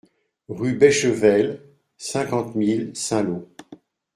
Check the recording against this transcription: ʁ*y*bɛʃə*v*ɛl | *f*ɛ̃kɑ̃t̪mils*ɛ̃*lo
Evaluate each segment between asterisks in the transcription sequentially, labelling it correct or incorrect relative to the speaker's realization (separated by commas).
correct, correct, incorrect, correct